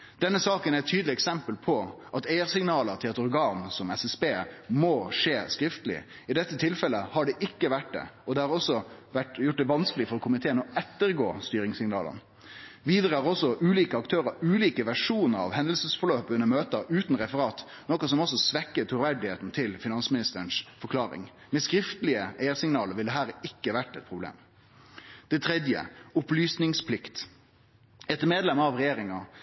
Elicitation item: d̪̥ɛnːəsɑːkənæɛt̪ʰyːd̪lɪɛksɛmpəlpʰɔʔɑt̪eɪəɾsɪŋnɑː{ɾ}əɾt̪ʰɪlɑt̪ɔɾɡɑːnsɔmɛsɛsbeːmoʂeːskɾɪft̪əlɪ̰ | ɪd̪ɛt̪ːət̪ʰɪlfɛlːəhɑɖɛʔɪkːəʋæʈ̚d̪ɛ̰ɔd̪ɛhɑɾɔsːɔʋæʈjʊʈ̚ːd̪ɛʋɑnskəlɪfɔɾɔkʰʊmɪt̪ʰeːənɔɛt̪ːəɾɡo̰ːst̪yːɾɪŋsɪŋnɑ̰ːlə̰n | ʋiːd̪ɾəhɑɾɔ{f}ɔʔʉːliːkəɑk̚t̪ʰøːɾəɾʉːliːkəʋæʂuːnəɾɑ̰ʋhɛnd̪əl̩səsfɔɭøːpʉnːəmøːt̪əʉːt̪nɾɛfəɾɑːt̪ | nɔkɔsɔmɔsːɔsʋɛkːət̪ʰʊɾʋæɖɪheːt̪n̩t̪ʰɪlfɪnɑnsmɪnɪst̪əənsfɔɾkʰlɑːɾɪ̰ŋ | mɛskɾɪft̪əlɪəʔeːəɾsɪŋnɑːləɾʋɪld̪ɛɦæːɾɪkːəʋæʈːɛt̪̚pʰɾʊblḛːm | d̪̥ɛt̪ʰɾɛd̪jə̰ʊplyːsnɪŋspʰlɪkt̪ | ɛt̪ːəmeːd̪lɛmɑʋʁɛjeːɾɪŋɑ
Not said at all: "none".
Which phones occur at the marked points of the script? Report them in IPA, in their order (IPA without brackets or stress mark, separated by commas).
l, s